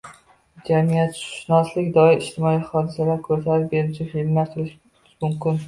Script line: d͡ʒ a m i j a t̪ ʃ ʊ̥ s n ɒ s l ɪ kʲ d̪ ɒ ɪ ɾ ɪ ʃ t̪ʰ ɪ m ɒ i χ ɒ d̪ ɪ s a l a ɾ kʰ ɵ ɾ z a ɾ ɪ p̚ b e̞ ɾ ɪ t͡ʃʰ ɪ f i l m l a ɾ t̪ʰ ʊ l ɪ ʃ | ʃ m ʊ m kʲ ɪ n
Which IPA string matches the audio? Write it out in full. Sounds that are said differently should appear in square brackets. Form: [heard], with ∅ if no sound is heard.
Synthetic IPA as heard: d͡ʒ a m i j a t̪ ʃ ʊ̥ [ʃ] n ɒ s l ɪ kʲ d̪ ɒ ɪ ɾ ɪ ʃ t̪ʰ ɪ m ɒ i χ ɒ d̪ ɪ s a l a ɾ kʰ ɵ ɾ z a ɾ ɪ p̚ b e̞ ɾ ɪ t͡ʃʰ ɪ f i l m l a ɾ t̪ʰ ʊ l ɪ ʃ | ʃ m ʊ m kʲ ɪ n